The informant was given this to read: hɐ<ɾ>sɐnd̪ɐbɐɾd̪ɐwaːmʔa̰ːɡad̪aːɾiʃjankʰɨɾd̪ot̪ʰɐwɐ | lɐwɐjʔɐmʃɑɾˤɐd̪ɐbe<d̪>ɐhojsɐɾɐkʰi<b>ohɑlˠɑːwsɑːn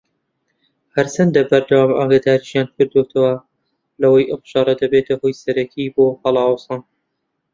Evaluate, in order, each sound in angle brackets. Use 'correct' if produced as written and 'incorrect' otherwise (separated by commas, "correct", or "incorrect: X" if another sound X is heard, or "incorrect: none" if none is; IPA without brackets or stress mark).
correct, incorrect: t̪, correct